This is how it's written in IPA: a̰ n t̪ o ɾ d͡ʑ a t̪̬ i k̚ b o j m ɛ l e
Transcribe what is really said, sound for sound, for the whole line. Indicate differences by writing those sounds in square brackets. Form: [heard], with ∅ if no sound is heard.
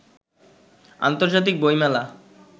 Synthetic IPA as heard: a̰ n t̪ o ɾ d͡ʑ a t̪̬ i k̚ b o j m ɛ l [a]